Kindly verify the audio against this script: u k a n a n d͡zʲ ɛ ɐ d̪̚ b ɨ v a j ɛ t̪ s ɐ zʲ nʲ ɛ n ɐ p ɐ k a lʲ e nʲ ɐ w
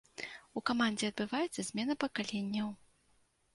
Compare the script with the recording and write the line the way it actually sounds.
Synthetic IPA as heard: u k a m a n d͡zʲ ɛ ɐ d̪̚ b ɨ v a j ɛ t̪ s ɐ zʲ mʲ ɛ n ɐ p ɐ k a lʲ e nʲː ɐ w